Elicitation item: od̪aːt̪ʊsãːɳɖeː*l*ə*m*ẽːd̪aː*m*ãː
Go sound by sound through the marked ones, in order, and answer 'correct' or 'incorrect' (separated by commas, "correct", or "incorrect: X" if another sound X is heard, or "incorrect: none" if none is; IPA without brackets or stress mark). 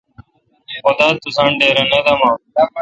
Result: incorrect: ɾ, incorrect: n, correct